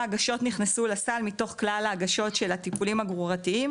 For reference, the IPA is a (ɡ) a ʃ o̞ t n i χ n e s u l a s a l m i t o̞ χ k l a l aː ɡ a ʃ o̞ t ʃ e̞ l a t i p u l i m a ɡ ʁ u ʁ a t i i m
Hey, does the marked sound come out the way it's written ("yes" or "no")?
yes